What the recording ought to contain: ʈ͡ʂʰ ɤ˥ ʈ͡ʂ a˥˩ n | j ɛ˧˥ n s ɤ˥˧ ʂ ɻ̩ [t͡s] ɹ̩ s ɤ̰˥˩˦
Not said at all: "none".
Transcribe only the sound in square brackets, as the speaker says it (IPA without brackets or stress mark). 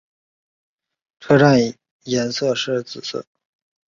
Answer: t͡s